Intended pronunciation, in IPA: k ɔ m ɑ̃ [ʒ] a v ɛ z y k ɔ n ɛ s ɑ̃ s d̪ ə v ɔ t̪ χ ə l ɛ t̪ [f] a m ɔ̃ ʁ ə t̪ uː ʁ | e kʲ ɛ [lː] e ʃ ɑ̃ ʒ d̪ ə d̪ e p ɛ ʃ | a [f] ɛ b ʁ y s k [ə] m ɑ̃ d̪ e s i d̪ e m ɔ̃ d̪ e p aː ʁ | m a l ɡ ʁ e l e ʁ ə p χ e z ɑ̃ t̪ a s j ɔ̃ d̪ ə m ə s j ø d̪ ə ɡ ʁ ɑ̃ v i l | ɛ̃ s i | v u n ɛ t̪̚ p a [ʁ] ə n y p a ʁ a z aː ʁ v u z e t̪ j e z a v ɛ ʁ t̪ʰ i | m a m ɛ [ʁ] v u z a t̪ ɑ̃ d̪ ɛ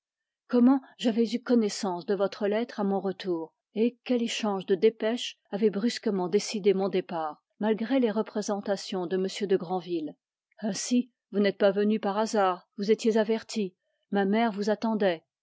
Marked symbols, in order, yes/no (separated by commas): yes, no, no, no, yes, no, yes